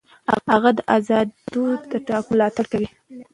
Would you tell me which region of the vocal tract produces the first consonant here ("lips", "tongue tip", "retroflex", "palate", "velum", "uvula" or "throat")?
velum